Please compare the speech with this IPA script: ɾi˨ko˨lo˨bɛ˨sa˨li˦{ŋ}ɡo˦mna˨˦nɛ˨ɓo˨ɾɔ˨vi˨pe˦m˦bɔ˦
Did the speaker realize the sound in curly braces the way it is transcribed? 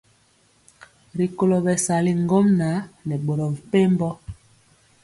yes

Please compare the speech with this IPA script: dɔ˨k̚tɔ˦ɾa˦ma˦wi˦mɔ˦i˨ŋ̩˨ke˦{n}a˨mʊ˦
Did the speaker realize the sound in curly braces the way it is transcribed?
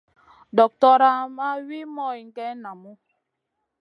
yes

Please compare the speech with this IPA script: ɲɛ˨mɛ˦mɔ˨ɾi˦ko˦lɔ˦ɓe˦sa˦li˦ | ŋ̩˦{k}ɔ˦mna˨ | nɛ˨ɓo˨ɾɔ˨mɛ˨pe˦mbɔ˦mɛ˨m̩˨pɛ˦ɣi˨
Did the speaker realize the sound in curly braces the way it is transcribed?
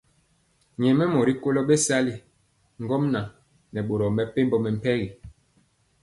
no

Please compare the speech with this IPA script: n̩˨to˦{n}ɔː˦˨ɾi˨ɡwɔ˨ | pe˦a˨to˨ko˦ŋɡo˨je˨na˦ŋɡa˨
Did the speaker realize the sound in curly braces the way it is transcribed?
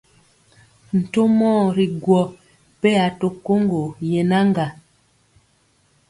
no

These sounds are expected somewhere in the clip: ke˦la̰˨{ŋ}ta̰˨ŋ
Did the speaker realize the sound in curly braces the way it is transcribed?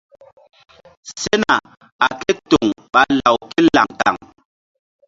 yes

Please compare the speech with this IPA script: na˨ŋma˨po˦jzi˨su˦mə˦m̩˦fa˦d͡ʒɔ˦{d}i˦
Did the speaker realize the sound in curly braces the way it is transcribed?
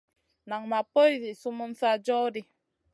yes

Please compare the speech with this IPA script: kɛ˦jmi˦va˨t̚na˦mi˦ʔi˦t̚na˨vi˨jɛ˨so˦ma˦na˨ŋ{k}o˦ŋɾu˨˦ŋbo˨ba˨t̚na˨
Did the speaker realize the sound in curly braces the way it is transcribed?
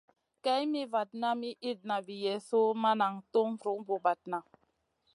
no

